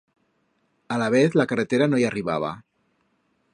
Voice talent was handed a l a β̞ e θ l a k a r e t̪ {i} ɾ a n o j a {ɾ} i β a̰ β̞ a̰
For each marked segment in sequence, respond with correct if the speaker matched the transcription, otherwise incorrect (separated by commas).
incorrect, incorrect